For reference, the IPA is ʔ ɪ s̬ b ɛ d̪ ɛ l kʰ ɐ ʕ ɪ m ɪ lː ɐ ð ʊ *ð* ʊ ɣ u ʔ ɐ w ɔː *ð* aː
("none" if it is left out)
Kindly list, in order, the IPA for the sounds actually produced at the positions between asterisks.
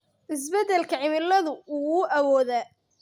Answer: none, ð

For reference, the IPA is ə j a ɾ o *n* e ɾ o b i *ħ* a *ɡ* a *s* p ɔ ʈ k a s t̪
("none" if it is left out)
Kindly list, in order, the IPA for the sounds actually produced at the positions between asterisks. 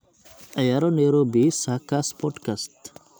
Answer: n, s, k, s

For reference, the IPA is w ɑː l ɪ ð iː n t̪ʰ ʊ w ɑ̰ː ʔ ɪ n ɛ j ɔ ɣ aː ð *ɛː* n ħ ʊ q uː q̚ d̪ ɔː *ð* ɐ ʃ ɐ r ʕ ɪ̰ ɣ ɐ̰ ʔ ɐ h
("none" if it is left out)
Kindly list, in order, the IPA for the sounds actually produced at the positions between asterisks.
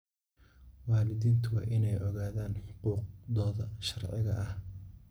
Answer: aː, ð

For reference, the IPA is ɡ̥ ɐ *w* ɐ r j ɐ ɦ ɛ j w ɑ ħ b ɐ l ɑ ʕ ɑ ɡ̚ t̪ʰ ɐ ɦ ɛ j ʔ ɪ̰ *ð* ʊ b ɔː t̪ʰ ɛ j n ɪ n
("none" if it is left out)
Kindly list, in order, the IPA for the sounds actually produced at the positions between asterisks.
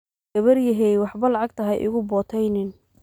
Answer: β, ɣ

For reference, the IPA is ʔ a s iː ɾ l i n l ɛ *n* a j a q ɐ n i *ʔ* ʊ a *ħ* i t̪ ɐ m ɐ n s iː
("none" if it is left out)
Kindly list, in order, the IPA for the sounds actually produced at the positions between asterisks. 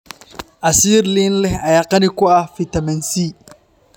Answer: none, k, f

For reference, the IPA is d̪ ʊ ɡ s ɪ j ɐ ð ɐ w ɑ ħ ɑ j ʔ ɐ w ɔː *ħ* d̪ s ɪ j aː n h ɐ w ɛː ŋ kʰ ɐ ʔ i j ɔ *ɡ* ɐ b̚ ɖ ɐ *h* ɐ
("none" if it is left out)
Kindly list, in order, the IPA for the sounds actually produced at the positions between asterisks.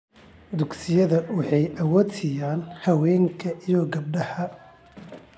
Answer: none, ɡ, h

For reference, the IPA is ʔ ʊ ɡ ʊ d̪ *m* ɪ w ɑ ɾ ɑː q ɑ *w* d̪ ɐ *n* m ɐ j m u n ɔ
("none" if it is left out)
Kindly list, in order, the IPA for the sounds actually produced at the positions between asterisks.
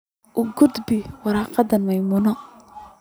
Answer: b, none, n

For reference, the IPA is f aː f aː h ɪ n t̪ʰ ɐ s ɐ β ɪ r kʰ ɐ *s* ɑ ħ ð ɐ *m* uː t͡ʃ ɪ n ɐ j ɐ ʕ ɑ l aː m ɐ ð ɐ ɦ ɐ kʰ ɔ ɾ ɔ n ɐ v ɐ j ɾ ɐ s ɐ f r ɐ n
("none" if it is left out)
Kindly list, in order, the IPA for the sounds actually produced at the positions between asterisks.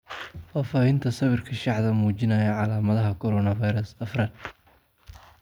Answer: ʃ, m

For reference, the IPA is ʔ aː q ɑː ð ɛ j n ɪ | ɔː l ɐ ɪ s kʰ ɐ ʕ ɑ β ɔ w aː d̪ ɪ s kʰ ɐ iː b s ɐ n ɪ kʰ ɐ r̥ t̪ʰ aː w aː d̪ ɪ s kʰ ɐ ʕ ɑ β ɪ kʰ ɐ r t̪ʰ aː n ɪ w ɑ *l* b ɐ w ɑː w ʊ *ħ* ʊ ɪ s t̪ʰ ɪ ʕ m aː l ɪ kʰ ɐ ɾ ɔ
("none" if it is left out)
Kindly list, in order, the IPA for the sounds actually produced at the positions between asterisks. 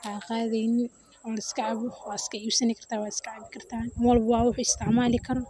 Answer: l, ħ

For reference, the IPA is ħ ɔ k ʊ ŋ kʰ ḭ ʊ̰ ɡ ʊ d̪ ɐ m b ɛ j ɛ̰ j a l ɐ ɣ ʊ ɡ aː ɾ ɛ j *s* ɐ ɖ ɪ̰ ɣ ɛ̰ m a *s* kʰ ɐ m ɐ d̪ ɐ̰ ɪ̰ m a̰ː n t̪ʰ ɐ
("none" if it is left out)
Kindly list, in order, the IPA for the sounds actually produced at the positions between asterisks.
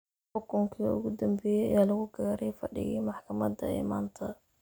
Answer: f, ħ

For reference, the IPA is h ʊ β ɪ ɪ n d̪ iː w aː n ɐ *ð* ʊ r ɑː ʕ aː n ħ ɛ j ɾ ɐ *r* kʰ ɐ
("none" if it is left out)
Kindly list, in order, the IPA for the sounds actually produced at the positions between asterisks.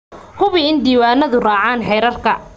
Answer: ð, r

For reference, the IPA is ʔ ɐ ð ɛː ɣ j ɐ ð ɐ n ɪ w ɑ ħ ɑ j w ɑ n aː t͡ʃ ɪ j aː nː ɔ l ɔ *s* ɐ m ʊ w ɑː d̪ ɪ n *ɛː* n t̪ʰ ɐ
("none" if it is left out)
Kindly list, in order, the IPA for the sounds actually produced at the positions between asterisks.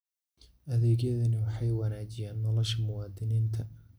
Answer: ʃ, iː

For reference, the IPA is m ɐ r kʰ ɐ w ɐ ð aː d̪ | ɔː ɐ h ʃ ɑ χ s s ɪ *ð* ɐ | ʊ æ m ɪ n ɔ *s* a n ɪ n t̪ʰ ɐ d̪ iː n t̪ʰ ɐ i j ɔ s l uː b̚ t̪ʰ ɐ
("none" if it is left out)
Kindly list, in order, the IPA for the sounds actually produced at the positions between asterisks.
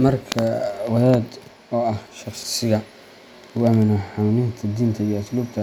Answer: ɣ, ħ

